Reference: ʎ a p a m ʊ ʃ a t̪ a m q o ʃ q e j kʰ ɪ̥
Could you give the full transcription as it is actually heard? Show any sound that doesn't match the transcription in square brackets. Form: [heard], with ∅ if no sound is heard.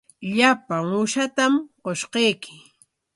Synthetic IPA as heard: ʎ a p a [ŋ] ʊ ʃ a t̪ a m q o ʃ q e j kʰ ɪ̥